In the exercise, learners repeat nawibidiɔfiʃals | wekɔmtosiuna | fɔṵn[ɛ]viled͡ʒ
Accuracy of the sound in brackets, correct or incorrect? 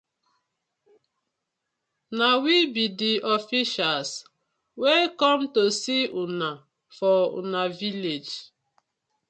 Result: incorrect